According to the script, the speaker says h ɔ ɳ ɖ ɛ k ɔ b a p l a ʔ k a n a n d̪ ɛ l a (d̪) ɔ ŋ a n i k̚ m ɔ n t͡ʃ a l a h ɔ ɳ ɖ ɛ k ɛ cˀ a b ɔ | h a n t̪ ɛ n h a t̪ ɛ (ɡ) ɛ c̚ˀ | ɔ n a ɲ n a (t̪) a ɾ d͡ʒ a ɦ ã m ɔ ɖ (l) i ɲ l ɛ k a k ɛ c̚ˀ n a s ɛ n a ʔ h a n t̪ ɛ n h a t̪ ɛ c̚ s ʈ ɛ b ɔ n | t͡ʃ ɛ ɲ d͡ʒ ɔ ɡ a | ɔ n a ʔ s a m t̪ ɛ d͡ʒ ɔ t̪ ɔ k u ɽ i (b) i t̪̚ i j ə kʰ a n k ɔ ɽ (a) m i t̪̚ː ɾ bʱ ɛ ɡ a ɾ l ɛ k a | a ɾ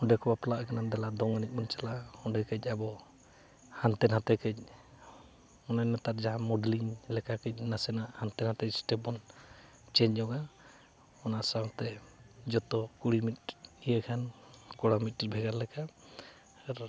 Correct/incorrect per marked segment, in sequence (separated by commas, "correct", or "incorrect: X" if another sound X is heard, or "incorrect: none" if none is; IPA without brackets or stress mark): correct, incorrect: k, correct, correct, incorrect: m, correct